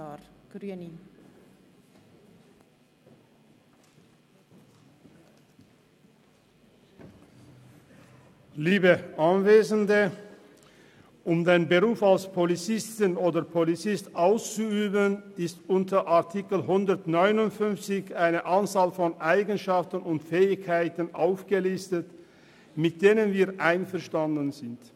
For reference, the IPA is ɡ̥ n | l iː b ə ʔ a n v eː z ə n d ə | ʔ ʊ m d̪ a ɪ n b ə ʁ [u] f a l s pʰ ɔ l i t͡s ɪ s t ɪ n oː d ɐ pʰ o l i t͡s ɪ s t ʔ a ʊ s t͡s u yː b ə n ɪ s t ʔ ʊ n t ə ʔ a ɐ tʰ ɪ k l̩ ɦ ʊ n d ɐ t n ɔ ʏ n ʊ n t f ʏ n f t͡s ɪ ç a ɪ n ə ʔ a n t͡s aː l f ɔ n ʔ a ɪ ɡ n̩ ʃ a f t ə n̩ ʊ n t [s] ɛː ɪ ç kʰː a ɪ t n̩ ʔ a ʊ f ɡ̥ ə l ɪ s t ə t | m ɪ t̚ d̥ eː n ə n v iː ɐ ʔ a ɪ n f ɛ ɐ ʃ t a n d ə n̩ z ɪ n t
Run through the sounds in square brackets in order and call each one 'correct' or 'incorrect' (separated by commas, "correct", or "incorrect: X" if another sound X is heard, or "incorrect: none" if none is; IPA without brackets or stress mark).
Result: incorrect: uː, incorrect: f